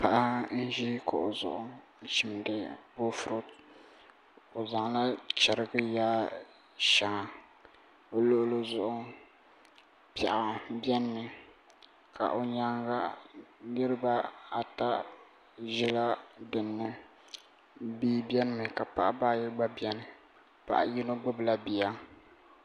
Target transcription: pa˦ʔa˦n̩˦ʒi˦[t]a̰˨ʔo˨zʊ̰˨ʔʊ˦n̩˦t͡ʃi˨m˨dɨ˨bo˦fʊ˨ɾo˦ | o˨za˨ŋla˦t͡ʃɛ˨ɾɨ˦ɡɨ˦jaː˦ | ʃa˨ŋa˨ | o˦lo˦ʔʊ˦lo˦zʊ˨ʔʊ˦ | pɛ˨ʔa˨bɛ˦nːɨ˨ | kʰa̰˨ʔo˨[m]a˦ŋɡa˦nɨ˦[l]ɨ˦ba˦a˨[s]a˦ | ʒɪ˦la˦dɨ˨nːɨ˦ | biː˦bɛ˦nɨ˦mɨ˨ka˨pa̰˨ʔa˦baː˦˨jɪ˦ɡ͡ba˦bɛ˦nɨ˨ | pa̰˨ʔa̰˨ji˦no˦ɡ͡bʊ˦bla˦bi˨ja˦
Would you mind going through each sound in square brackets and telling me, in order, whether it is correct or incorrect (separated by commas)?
incorrect, incorrect, incorrect, incorrect